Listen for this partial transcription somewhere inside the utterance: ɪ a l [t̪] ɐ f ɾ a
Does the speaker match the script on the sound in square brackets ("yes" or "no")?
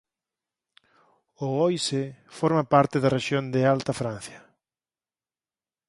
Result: yes